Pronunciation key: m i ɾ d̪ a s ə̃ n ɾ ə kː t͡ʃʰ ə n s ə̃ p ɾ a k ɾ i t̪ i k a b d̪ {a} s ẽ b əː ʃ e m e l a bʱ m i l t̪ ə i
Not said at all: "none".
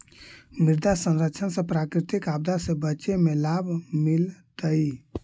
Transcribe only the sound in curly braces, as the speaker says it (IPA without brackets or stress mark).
a